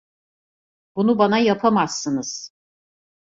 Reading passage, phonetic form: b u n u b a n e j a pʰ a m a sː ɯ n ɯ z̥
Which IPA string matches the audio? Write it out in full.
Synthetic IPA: b u n u b a n a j a pʰ a m a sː ɯ n ɯ z̥